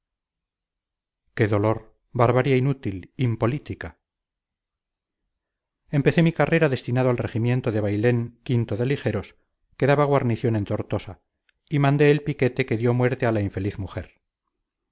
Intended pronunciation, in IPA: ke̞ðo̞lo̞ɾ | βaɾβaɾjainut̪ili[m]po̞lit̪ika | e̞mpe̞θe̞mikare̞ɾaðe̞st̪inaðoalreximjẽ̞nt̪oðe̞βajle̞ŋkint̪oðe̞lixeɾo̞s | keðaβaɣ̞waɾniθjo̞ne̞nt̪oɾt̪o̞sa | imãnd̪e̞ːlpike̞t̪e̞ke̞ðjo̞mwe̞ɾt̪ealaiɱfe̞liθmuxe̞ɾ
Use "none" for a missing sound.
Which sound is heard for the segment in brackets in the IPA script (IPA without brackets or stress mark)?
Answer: m